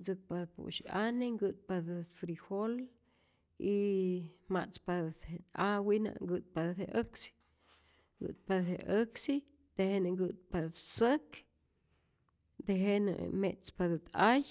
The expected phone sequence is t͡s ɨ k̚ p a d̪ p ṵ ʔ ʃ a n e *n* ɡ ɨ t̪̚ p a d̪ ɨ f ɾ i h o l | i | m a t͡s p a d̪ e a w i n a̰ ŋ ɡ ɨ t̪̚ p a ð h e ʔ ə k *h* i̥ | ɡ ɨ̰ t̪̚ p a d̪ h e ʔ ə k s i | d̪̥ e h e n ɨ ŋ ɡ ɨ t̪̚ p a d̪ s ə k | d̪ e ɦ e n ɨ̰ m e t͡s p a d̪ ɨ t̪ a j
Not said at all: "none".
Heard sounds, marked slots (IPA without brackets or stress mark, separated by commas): ŋ, s